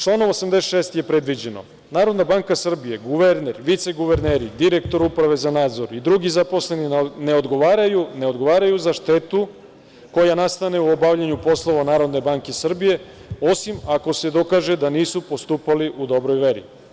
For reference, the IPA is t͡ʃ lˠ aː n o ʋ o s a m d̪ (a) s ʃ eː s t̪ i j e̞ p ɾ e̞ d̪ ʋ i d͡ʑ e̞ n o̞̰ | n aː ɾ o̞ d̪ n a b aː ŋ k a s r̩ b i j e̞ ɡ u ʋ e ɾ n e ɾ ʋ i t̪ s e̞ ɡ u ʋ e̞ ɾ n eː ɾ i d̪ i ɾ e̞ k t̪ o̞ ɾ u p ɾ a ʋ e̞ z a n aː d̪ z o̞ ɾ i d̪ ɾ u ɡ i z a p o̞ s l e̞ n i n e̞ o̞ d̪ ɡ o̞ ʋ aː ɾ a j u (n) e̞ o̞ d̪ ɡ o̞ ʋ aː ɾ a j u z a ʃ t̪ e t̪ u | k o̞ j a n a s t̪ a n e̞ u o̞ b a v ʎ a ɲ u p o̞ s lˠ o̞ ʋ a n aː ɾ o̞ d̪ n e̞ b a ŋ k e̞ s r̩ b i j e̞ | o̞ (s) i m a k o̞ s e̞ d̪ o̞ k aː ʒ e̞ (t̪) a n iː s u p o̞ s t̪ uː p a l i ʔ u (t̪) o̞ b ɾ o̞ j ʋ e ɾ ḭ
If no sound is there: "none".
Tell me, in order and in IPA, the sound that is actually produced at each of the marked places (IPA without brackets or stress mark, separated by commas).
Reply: e, n, s, d̪, d̪